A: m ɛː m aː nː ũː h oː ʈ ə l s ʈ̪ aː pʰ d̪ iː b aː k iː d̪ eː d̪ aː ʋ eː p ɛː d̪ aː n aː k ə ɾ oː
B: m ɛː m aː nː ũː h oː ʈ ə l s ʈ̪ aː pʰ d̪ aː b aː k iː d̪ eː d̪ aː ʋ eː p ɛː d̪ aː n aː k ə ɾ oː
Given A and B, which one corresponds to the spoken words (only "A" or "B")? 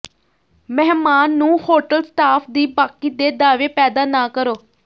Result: A